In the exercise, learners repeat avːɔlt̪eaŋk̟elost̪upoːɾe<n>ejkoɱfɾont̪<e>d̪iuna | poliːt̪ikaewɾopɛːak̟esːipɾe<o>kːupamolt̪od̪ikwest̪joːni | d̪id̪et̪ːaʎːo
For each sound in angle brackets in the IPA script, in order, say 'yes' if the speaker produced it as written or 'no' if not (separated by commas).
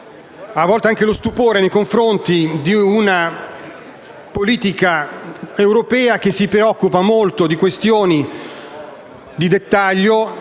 yes, no, no